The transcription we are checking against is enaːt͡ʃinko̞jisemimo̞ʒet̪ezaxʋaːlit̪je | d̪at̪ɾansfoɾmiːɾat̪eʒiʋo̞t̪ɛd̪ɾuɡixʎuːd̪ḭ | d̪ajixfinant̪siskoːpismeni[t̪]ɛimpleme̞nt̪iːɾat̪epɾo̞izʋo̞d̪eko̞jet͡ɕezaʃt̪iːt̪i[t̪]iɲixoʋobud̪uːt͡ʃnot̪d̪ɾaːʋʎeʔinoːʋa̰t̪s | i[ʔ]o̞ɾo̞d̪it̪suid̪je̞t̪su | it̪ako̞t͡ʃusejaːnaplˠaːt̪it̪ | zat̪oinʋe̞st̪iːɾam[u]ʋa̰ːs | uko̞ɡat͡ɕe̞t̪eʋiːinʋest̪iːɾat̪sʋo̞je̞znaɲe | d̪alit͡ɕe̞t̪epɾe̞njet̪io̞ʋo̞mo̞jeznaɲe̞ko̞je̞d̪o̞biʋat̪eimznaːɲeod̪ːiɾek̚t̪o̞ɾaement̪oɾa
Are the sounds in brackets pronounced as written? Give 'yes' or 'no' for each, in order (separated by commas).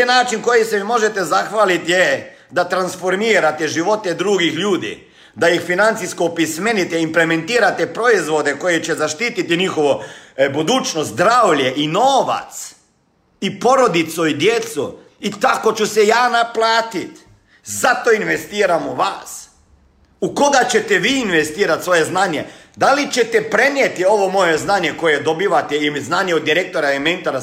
yes, yes, no, yes